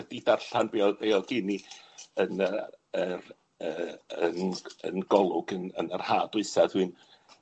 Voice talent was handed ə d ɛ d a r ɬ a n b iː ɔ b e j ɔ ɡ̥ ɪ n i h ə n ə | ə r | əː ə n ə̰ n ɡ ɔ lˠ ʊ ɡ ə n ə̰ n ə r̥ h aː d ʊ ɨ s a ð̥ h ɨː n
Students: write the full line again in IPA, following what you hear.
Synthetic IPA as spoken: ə d i d a r ɬ a n b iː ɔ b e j ɔ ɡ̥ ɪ n i ə n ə | ə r | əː ə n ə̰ n ɡ ɔ lˠ ʊ ɡ ə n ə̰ n ə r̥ h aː d ʊ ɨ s a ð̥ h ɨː n